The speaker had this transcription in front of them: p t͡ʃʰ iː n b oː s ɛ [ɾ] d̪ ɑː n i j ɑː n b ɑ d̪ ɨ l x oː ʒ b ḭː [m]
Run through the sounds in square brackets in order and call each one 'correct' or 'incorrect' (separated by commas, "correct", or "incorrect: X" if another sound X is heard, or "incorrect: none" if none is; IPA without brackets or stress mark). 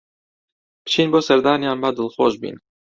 correct, incorrect: n